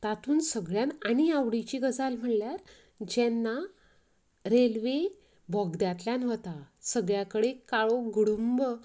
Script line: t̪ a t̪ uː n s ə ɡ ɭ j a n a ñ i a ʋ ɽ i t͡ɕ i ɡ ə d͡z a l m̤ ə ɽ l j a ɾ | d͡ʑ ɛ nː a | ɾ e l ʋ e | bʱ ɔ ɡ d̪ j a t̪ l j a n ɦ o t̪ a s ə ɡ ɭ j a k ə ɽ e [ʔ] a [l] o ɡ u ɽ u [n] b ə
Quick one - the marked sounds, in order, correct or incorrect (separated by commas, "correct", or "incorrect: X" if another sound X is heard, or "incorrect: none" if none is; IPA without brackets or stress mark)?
incorrect: k, incorrect: ɭ, incorrect: m